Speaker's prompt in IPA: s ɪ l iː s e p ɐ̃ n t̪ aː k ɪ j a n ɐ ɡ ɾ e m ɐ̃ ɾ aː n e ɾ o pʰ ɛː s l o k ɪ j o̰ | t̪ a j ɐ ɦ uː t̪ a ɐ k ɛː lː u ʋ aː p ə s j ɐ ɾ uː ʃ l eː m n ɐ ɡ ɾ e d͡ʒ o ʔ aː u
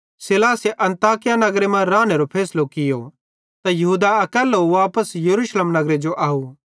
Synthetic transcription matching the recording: s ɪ l aː s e ʔ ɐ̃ n t̪ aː k ɪ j a n ɐ ɡ ɾ e m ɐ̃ ɾ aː n e ɾ o pʰ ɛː s l o k ɪ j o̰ | t̪ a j ɐ ɦ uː d̪ a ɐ k ɛː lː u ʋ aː p ə s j ɐ ɾ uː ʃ l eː m n ɐ ɡ ɾ e d͡ʒ o ʔ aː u

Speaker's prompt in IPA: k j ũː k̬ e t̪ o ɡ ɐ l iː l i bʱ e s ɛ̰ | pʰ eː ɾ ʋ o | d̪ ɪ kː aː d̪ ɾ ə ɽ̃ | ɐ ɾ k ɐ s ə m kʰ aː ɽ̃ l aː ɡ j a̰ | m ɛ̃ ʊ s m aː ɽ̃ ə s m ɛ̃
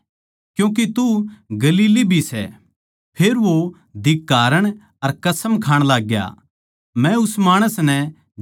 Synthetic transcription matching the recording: k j ũː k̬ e t̪ u ɡ ɐ l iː l i bʱ i s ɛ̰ | pʰ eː ɾ ʋ o | d̪ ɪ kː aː ɾ ə ɽ̃ | ɐ ɾ k ɐ s ə m kʰ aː ɽ̃ l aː ɡ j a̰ | m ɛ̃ ʊ s m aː ɽ̃ ə s n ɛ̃

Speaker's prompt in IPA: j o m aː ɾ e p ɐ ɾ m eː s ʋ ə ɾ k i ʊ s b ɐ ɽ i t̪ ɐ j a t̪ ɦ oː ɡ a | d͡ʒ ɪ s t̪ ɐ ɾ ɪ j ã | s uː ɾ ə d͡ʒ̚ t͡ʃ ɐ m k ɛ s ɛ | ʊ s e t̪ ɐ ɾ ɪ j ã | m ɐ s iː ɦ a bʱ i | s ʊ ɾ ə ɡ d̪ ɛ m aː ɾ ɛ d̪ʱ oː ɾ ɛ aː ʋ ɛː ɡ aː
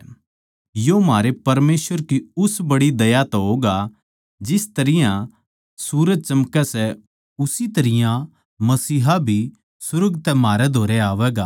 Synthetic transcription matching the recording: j o m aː ɾ e p ɐ ɾ m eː s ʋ ə ɾ k i ʊ s b ɐ ɽ i d̪ ɐ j a t̪ ɦ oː ɡ a | d͡ʒ ɪ s t̪ ɐ ɾ ɪ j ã | s uː ɾ ə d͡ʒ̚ t͡ʃ ɐ m k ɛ s ɛ | ʊ s i t̪ ɐ ɾ ɪ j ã | m ɐ s iː ɦ a bʱ i | s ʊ ɾ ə ɡ t̪ ɛ m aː ɾ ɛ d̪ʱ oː ɾ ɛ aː ʋ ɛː ɡ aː

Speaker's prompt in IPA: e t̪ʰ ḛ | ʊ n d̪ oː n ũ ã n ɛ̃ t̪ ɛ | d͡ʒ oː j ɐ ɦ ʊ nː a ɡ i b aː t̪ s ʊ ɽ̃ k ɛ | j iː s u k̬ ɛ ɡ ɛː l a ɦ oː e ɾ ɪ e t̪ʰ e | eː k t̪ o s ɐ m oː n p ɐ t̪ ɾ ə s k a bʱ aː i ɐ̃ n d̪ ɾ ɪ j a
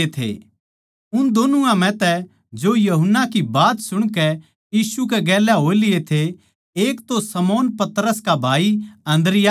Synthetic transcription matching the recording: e t̪ʰ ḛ | ʊ n d̪ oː n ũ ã m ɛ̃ t̪ ɛ | d͡ʒ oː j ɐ ɦ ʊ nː a k i b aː t̪ s ʊ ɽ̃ k ɛ | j iː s u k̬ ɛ ɡ ɛː l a ɦ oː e l ɪ e t̪ʰ e | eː k t̪ o s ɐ m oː n p ɐ t̪ ɾ ə s k a bʱ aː i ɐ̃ n d̪ ɾ ɪ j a

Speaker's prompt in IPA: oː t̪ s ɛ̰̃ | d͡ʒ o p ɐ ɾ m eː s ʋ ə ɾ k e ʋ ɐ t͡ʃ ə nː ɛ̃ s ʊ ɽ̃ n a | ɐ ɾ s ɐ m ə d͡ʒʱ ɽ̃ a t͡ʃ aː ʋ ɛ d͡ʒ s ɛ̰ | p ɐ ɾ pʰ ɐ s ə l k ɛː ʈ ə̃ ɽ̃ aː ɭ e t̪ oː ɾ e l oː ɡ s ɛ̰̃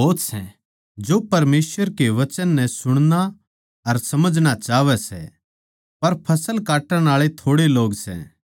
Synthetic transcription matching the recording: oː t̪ s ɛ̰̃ | d͡ʒ o p ɐ ɾ m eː s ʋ ə ɾ k e ʋ ɐ t͡ʃ ə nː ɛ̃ s ʊ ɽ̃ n a | ɐ ɾ s ɐ m ə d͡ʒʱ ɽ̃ a t͡ʃ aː ʋ ɛ s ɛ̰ | p ɐ ɾ pʰ ɐ s ə l k aː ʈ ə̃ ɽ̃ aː ɭ e t̪ʰ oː ɽ e l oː ɡ s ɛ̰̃

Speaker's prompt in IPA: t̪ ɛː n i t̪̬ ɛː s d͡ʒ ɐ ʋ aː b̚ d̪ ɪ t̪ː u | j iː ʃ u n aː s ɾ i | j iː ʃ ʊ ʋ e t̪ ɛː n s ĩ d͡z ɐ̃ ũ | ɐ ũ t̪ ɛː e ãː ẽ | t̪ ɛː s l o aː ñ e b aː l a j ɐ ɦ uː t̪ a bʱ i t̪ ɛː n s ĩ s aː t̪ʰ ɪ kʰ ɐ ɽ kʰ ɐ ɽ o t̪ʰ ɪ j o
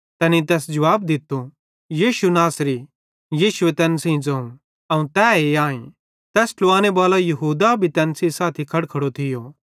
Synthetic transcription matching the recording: t̪ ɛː n i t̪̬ ɛː s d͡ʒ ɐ ʋ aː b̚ d̪ ɪ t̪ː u | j iː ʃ u n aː s ɾ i | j iː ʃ ʊ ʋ e t̪ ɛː n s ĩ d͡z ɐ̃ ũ | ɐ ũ t̪ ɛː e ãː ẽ | t̪ ɛː s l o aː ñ e b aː l a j ɐ ɦ uː d̪ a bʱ i t̪ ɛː n s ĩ s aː t̪ʰ i kʰ ɐ ɽ kʰ ɐ ɽ o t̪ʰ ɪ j o

